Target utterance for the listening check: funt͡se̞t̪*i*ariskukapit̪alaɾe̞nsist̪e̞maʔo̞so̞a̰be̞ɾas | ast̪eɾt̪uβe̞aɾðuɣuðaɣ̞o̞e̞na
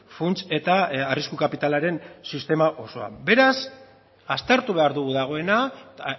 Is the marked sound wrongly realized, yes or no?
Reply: yes